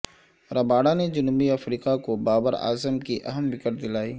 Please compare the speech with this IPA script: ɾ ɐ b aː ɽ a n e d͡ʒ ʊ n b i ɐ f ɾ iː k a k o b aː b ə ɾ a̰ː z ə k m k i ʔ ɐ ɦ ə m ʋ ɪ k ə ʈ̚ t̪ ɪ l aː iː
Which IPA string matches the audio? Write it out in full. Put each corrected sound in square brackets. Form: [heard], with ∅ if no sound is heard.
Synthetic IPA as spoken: ɾ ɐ b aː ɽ a n e d͡ʒ ʊ n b i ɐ f ɾ iː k a k o b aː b ə ɾ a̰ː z ə [∅] m k i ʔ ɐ ɦ ə m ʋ ɪ k ə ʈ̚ [d̪] ɪ l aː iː